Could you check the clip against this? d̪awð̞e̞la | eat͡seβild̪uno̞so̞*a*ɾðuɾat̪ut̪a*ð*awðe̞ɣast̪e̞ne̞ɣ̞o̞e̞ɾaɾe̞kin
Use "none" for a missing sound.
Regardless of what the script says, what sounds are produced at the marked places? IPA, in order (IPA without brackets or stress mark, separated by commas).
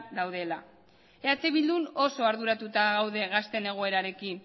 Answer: a, ɣ